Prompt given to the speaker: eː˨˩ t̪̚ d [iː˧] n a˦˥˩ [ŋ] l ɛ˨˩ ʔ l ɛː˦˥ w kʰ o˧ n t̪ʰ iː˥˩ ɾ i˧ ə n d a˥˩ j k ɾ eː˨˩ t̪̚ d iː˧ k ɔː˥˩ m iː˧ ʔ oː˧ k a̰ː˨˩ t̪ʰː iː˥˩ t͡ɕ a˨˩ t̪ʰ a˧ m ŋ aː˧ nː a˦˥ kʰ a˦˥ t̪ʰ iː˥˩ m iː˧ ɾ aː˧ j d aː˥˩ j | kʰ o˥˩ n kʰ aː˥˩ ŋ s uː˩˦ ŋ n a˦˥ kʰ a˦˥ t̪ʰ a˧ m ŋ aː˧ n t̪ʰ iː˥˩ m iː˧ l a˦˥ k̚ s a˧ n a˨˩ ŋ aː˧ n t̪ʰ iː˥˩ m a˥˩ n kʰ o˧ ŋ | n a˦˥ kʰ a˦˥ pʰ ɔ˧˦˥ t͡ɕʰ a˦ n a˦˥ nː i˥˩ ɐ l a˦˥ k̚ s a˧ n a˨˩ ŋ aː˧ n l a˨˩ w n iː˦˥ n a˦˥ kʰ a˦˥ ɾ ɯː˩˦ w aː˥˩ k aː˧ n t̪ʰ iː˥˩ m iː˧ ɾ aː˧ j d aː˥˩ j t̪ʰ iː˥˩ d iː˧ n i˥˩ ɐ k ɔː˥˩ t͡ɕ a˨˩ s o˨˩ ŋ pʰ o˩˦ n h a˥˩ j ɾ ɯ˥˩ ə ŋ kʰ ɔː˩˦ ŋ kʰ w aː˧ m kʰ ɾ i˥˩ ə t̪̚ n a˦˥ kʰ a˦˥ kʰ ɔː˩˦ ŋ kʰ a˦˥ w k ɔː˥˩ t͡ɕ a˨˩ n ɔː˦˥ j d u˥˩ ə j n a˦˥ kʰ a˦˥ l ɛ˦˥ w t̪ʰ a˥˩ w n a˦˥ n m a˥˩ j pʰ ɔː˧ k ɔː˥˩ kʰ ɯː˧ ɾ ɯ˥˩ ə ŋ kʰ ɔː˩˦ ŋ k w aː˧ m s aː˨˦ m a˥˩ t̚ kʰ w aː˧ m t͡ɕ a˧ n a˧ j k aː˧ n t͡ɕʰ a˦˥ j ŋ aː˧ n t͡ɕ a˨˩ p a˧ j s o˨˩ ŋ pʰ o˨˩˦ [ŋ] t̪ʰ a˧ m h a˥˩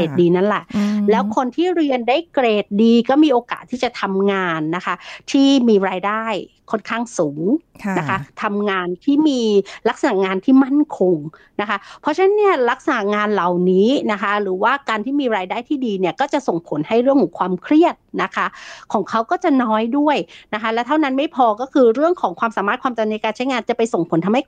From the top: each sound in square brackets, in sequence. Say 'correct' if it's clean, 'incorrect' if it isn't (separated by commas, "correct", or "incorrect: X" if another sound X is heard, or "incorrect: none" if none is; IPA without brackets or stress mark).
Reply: correct, incorrect: n, incorrect: n